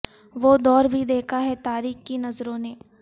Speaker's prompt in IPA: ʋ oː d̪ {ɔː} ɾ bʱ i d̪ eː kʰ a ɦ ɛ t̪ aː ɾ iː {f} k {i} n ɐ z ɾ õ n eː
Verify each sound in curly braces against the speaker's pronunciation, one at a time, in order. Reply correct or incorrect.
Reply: correct, incorrect, correct

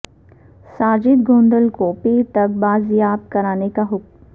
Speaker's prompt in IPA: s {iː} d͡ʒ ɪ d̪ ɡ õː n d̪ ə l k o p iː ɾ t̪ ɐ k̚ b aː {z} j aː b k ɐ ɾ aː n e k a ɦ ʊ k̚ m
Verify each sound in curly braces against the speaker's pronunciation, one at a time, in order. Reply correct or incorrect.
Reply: incorrect, correct

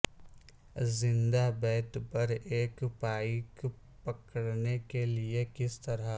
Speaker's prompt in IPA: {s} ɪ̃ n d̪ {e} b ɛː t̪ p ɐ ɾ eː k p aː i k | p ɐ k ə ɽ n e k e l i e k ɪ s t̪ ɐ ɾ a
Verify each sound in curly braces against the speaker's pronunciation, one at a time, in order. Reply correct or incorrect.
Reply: incorrect, incorrect

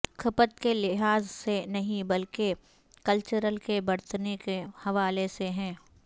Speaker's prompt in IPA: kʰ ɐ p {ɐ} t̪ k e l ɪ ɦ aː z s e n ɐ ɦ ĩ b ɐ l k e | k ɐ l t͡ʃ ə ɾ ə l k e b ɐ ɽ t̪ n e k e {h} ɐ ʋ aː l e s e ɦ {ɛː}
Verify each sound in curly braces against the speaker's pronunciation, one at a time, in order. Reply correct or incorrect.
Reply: incorrect, correct, incorrect

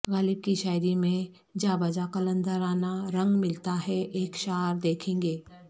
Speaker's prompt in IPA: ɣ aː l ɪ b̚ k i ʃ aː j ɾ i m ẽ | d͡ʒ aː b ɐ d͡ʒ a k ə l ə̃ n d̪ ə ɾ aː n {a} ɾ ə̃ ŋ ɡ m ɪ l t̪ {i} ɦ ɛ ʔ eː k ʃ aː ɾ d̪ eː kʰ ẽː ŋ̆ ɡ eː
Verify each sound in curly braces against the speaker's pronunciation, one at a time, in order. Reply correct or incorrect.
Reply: correct, incorrect

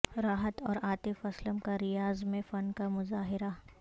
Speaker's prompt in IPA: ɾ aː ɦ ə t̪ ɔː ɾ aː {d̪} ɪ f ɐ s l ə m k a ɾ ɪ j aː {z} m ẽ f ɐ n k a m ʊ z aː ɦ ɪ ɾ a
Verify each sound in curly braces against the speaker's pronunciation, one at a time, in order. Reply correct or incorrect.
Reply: incorrect, correct

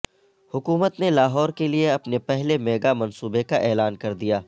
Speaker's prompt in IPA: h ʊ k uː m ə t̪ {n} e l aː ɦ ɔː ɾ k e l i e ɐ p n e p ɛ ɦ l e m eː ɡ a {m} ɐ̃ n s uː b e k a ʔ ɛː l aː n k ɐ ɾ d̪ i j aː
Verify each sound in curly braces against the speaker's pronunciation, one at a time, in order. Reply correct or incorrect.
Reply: correct, correct

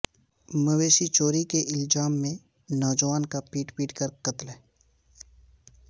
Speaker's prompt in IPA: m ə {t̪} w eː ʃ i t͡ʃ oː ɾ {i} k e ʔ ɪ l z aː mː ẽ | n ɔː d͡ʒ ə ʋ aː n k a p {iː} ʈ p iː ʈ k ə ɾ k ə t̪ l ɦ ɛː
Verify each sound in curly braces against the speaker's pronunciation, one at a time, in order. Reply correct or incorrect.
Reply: incorrect, correct, correct

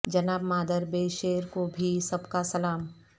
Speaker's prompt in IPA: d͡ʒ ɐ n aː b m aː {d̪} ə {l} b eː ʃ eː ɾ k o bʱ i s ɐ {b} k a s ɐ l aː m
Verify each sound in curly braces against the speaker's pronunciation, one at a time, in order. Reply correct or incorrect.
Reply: correct, incorrect, correct

